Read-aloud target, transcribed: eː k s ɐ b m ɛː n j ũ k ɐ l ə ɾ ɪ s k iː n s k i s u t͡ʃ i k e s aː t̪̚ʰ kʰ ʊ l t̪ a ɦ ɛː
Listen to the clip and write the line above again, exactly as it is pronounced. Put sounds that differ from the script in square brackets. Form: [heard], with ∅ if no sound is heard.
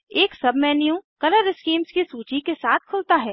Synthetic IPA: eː k s ɐ b m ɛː n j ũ k ɐ l ə ɾ ɪ s k iː [m] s k i s [uː] t͡ʃ i k e s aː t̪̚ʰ kʰ ʊ l t̪ a ɦ ɛː

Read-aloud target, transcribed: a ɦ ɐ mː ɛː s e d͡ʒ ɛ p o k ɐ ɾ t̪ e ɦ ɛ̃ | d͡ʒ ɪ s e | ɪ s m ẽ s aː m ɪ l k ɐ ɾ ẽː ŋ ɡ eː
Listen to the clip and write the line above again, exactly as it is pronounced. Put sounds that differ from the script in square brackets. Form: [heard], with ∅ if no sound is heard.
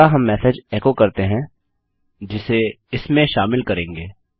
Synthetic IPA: a ɦ ɐ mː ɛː s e d͡ʒ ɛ [k] o k ɐ ɾ t̪ e ɦ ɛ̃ | d͡ʒ ɪ s e | ɪ s m ẽ [ʃ] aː m ɪ l k ɐ ɾ ẽː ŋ ɡ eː

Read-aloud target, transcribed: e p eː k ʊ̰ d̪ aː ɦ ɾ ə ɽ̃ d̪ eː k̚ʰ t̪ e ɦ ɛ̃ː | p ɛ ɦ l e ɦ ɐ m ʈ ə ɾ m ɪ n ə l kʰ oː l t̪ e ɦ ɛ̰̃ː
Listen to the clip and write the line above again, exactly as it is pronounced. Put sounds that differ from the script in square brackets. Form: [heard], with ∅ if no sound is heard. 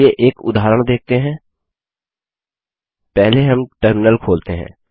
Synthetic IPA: e [ʔ] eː k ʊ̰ d̪ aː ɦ ɾ ə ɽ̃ d̪ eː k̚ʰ t̪ e ɦ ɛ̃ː | p ɛ ɦ l e ɦ ɐ m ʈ ə ɾ m ɪ n ə l kʰ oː l t̪ e ɦ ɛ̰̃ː

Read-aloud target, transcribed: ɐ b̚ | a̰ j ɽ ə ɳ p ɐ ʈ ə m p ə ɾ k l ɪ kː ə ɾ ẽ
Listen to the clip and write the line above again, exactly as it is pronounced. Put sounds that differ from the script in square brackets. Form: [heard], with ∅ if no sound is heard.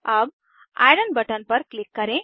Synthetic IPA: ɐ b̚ | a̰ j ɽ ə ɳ [b] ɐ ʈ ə [n] p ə ɾ k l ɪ kː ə ɾ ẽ

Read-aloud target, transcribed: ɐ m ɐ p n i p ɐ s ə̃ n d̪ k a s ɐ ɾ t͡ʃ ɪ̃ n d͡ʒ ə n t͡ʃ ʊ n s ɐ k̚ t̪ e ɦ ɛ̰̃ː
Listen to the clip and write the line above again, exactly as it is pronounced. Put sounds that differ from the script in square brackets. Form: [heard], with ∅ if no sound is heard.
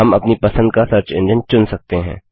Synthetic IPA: ɐ m ɐ p n i p ɐ s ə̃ n d̪ k a s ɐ ɾ t͡ʃ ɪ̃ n d͡ʒ ə n t͡ʃ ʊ n s ɐ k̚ t̪ e ɦ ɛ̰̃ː

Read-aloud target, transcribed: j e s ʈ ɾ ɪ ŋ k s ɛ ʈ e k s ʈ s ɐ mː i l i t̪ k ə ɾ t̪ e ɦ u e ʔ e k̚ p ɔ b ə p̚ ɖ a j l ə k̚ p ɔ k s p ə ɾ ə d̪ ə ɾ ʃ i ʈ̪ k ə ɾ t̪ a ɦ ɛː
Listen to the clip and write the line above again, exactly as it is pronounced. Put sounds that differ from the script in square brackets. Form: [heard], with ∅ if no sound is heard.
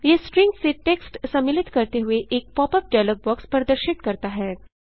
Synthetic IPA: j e s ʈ ɾ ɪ ŋ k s [e] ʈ e k s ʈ s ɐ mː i l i t̪ k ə ɾ t̪ e ɦ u e ʔ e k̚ p ɔ [p] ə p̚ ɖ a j l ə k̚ [b] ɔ k s p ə ɾ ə d̪ ə ɾ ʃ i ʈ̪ k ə ɾ t̪ a ɦ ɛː

